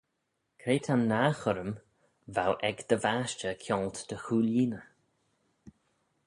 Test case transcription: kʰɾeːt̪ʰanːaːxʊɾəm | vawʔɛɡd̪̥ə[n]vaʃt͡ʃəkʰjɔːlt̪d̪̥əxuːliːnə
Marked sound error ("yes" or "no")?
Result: yes